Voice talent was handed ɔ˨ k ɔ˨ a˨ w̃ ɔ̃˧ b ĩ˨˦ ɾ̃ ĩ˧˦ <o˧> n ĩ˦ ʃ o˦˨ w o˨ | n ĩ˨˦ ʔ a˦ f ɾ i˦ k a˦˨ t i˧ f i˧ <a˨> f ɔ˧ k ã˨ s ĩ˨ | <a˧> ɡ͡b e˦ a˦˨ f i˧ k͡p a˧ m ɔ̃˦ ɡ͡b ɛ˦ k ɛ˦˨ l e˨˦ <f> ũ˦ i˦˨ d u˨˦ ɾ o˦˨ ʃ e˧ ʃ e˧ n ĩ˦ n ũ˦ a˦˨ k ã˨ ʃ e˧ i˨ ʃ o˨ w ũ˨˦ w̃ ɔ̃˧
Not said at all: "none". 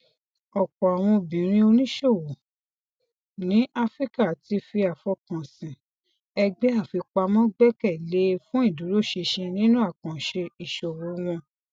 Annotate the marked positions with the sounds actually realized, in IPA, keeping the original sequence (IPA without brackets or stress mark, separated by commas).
o˧, a˨, ɛ˧, f